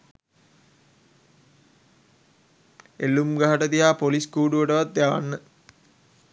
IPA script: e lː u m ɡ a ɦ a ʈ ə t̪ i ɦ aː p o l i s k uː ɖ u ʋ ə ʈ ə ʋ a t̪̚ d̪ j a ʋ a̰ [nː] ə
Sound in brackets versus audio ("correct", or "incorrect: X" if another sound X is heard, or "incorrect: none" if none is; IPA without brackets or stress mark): correct